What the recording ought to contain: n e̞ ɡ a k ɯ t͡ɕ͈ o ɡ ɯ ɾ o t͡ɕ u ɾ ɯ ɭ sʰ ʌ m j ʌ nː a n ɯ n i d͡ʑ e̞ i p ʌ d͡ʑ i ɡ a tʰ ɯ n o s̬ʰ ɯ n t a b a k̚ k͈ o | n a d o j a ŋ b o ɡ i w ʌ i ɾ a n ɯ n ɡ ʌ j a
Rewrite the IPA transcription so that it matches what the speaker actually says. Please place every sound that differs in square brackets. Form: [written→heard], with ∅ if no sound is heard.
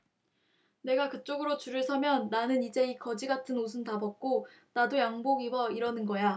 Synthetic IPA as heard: n e̞ ɡ a k ɯ t͡ɕ͈ o ɡ ɯ ɾ o t͡ɕ u ɾ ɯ ɭ sʰ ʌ m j ʌ nː a n ɯ n i d͡ʑ e̞ i [p→k] ʌ d͡ʑ i ɡ a tʰ ɯ n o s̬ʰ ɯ n t a b [a→ʌ] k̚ k͈ o | n a d o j a ŋ b o ɡ i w ʌ i ɾ [a→ʌ] n ɯ n ɡ ʌ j a

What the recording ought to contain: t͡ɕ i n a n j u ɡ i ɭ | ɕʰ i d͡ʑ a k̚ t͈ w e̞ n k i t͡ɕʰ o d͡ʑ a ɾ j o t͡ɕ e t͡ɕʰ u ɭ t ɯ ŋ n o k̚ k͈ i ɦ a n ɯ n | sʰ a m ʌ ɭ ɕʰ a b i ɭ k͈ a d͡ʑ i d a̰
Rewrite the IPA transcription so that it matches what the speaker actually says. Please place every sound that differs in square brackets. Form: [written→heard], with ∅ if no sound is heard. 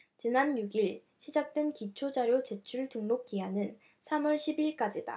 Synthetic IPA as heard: t͡ɕ i n a n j u ɡ i ɭ | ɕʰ i d͡ʑ a k̚ t͈ w e̞ n k i t͡ɕʰ o d͡ʑ a ɾ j o t͡ɕ e t͡ɕʰ u ɭ t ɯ ŋ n o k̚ k͈ i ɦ a n ɯ n | sʰ a m ʌ ɭ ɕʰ [a→i] b i ɭ k͈ a d͡ʑ i d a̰

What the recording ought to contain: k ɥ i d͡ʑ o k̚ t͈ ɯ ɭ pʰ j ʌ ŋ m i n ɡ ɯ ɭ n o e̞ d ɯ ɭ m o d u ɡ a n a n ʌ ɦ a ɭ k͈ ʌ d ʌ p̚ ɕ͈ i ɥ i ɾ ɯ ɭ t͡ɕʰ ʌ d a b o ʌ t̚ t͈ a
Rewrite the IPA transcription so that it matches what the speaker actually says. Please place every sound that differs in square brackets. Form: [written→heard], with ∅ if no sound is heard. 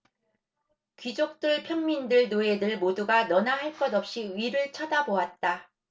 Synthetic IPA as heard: k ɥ i d͡ʑ o k̚ t͈ ɯ ɭ pʰ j ʌ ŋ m i n [ɡ→d] ɯ ɭ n o e̞ d ɯ ɭ m o d u ɡ a n [a→ʌ] n [ʌ→a] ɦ a ɭ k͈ ʌ d ʌ p̚ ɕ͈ i ɥ i ɾ ɯ ɭ t͡ɕʰ ʌ d a b o [ʌ→a] t̚ t͈ a

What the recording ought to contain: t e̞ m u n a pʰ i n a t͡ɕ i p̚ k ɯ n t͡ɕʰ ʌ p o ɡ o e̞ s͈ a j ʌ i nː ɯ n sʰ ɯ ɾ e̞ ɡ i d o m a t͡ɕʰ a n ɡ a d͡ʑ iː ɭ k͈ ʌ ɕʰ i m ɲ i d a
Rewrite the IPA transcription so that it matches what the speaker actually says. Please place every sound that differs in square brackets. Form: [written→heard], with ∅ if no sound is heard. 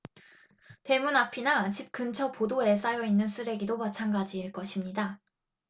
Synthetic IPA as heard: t e̞ m u n a pʰ i n a t͡ɕ i p̚ k ɯ n t͡ɕʰ ʌ p o [ɡ→d] o e̞ s͈ a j ʌ i nː ɯ n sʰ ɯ ɾ e̞ ɡ i d o m a t͡ɕʰ a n ɡ a d͡ʑ iː ɭ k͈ ʌ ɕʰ i m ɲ i d a

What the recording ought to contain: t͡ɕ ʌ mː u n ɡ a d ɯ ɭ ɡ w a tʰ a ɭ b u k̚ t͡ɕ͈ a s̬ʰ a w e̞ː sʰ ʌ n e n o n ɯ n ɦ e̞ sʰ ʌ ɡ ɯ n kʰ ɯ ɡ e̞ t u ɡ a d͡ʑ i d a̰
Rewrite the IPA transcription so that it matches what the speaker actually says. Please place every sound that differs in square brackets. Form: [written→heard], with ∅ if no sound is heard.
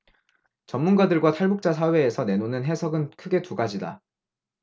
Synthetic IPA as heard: t͡ɕ ʌ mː u n ɡ a d ɯ ɭ ɡ w a tʰ a ɭ b u k̚ t͡ɕ͈ a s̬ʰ a w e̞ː sʰ ʌ n e n o n ɯ n ɦ e̞ sʰ ʌ ɡ ɯ n kʰ ɯ ɡ e̞ t u ɡ a d͡ʑ i d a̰

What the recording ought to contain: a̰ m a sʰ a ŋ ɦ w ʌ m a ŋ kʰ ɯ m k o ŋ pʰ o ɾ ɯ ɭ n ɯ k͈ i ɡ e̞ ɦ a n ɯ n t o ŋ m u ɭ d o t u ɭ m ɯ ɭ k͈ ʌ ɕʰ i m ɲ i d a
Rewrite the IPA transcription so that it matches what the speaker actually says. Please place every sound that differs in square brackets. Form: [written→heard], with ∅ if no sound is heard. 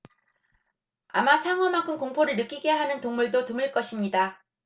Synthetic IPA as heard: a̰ m a sʰ a ŋ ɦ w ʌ m a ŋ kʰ ɯ m k o ŋ pʰ o ɾ ɯ ɭ n ɯ k͈ i ɡ e̞ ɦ a n ɯ n t o ŋ m u ɭ d o t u [ɭ→∅] m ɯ ɭ k͈ ʌ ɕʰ i m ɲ i d a

